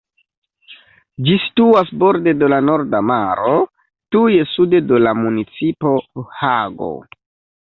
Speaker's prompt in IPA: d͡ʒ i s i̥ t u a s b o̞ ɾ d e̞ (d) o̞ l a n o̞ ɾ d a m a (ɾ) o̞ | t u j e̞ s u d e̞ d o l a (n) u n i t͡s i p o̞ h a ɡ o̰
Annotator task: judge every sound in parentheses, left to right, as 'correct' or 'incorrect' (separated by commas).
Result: correct, correct, incorrect